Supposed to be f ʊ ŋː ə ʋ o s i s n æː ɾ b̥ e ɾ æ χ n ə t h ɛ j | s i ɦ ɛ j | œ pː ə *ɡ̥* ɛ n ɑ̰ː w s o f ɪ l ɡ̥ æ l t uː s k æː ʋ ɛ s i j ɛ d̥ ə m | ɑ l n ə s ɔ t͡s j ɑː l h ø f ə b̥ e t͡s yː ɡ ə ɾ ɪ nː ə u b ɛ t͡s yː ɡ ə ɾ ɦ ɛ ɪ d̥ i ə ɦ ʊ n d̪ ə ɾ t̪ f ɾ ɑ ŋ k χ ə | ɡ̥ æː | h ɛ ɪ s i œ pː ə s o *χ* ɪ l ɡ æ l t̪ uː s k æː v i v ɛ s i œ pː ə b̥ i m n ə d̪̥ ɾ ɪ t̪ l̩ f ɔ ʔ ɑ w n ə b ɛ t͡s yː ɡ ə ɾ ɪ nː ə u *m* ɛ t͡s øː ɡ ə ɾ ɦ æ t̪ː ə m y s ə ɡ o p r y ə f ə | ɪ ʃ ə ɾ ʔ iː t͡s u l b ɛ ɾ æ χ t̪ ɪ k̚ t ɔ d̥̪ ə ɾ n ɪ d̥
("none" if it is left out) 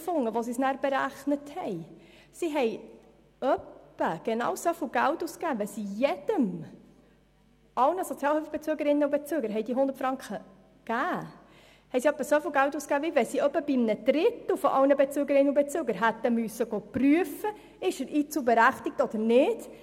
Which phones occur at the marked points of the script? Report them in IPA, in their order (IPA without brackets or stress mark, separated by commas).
ɡ̥, f, b